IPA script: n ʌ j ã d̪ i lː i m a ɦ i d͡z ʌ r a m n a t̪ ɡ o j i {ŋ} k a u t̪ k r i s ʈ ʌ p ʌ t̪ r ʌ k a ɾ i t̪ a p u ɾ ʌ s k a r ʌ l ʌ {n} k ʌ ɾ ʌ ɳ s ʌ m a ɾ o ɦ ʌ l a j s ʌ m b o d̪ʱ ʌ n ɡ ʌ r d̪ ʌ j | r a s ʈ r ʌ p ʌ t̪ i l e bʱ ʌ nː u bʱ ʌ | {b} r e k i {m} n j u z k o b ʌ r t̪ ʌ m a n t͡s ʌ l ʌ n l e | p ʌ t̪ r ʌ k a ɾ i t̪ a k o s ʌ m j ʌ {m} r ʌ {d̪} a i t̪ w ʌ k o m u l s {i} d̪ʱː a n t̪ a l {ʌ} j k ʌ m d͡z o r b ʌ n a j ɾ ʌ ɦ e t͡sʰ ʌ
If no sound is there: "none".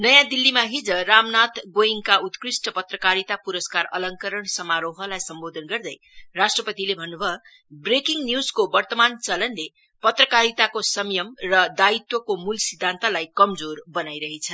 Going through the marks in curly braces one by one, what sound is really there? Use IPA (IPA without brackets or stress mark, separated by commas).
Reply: ŋ, ŋ, b, ŋ, m, d̪, i, a